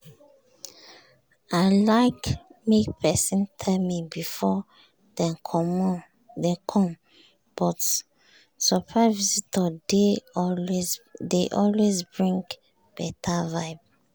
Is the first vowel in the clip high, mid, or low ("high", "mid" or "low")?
low